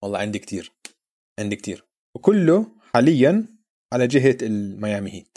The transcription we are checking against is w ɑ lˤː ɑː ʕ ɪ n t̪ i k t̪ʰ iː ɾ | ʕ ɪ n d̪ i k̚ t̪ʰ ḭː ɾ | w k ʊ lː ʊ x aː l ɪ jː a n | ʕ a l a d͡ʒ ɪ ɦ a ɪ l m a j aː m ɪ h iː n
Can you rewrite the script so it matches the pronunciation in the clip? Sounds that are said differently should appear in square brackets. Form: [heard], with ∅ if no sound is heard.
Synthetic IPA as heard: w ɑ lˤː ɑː ʕ ɪ n [d̪] i k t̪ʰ iː ɾ | ʕ ɪ n d̪ i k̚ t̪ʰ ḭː ɾ | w k ʊ lː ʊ [ħ] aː l ɪ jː a n | ʕ a l a d͡ʒ ɪ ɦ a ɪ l m a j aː m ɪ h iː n